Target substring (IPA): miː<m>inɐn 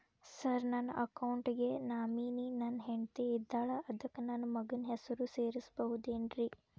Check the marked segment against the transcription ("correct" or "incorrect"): incorrect